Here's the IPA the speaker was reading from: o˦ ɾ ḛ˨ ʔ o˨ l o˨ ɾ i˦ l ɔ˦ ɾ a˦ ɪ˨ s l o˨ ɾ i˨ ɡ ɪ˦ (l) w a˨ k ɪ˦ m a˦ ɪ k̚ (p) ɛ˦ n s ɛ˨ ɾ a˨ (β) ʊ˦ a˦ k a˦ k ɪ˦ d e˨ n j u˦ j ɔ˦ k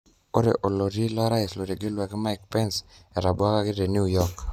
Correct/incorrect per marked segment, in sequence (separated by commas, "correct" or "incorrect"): correct, correct, incorrect